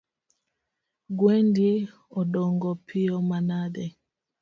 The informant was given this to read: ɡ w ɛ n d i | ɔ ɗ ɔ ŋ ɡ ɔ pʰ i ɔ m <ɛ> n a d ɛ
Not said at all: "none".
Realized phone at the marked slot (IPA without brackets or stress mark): a